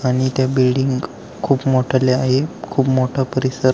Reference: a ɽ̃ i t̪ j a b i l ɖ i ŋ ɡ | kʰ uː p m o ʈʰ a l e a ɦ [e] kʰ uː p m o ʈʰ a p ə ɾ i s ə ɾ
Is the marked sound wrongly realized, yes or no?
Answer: no